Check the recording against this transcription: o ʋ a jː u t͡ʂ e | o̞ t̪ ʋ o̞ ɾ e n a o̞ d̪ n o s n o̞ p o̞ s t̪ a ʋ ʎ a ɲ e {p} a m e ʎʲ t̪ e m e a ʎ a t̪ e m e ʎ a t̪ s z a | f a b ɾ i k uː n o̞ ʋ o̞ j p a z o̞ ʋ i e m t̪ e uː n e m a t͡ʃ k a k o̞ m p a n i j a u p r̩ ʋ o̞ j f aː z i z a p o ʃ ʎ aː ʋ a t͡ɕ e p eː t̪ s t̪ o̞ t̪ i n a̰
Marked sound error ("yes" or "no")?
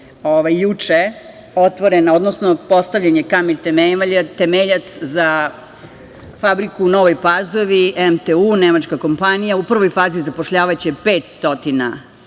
yes